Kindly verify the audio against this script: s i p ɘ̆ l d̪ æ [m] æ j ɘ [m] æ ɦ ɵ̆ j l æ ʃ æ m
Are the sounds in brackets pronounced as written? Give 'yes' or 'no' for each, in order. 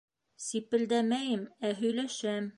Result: yes, yes

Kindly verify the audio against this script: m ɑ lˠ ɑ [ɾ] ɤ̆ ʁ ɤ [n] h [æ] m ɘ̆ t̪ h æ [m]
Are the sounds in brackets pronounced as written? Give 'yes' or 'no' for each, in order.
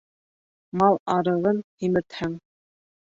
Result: yes, yes, no, no

